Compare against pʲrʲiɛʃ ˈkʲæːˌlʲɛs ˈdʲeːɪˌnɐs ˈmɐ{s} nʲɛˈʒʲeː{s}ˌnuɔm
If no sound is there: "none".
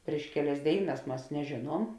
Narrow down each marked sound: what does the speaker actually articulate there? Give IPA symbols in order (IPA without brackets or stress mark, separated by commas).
s, none